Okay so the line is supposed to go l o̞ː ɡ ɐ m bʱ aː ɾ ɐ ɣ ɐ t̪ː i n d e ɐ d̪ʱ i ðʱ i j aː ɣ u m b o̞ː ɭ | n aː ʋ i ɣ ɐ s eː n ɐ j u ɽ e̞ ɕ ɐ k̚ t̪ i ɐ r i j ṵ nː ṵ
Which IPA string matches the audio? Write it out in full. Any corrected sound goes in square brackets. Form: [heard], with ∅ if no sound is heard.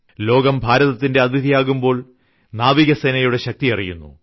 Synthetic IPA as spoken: l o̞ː ɡ ɐ m bʱ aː ɾ ɐ [ð] ɐ t̪ː i n d e ɐ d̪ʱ i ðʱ i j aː ɣ u m b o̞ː ɭ | n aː ʋ i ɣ ɐ s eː n ɐ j u ɽ e̞ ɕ ɐ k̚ t̪ i ɐ r i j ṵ nː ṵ

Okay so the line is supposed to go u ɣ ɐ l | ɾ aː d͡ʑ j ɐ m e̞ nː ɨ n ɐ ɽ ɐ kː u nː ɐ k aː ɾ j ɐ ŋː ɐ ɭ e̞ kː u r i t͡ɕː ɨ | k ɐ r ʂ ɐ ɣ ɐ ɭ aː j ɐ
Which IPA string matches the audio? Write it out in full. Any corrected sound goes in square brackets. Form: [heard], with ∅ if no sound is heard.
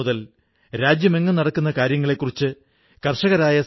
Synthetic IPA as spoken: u [ð] ɐ l | ɾ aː d͡ʑ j ɐ m e̞ [ŋː] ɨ n ɐ ɽ ɐ kː u nː ɐ k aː ɾ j ɐ ŋː ɐ ɭ e̞ kː u r i t͡ɕː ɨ | k ɐ r ʂ ɐ ɣ ɐ [ɾ] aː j ɐ

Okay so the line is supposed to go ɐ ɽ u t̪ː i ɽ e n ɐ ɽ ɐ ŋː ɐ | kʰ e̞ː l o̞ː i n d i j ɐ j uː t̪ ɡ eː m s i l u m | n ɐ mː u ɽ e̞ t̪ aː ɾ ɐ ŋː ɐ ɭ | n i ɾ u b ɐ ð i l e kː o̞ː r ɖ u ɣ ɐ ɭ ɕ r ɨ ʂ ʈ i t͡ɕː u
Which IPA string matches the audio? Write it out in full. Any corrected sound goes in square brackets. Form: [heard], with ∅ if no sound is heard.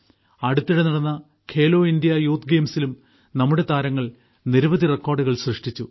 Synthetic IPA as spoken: ɐ ɽ u t̪ː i ɽ e n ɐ ɽ ɐ [nː] ɐ | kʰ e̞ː l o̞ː i n d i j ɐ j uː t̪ ɡ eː m s i l u m | n ɐ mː u ɽ e̞ t̪ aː ɾ ɐ ŋː ɐ ɭ | n i ɾ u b ɐ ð i [r] e kː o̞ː r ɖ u ɣ ɐ ɭ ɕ r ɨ ʂ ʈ i t͡ɕː u

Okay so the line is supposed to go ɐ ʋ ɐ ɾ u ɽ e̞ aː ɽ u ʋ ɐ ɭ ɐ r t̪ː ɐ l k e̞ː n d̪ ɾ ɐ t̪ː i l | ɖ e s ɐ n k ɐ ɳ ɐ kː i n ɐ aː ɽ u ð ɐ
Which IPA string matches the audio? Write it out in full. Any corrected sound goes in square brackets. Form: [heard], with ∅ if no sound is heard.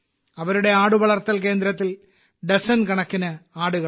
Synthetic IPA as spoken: ɐ ʋ ɐ ɾ u ɽ e̞ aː ɽ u ʋ ɐ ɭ ɐ r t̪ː ɐ l k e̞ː n d̪ ɾ ɐ t̪ː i l | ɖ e s ɐ n k ɐ ɳ ɐ kː i n ɐ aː ɽ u [ɣ] ɐ

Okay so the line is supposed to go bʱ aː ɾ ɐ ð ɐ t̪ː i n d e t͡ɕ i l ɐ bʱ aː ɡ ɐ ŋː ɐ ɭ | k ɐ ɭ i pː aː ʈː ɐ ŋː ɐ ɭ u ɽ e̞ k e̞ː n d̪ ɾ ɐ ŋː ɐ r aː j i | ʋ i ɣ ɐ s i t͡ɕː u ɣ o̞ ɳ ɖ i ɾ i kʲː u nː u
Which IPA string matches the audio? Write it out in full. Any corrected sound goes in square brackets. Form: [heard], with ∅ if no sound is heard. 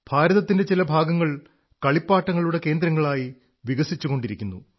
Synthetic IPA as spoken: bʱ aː ɾ ɐ ð ɐ t̪ː i n d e t͡ɕ i l ɐ bʱ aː ɡ ɐ ŋː ɐ ɭ | k ɐ ɭ i pː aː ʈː ɐ ŋː ɐ ɭ u ɽ e̞ k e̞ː n d̪ ɾ ɐ ŋː ɐ [ɭ] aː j i | ʋ i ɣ ɐ s i t͡ɕː u ɣ o̞ ɳ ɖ i ɾ i kʲː u nː u

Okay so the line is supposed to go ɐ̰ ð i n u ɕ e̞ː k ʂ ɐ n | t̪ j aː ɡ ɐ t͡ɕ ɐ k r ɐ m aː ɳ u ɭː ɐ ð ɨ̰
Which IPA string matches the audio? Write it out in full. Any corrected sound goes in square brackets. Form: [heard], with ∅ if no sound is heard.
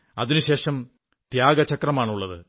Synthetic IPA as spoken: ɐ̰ ð i n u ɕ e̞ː [∅] ʂ ɐ [m] | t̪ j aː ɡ ɐ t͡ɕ ɐ k r ɐ m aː ɳ u ɭː ɐ ð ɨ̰

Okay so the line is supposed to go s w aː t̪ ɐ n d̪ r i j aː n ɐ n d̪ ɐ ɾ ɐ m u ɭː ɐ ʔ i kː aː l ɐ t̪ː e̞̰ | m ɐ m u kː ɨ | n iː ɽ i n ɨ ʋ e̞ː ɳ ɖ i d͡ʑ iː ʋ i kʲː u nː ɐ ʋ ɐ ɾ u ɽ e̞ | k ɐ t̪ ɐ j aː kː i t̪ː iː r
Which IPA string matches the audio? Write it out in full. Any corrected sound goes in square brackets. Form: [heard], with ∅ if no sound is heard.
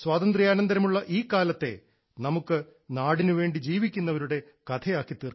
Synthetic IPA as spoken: s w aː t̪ ɐ n d̪ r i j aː n ɐ n d̪ ɐ ɾ ɐ m u ɭː ɐ ʔ [iː] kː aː l ɐ t̪ː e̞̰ | [n] ɐ m u kː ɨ | n [aː] ɽ i n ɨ ʋ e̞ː ɳ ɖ i d͡ʑ iː ʋ i kʲː u nː ɐ ʋ ɐ ɾ u ɽ e̞ | k ɐ [t̪ʰ] ɐ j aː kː i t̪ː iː r

